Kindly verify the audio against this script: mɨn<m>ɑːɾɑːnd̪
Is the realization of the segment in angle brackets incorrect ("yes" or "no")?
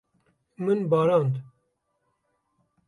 yes